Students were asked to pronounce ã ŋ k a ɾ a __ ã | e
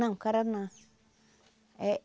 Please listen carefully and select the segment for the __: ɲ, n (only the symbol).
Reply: n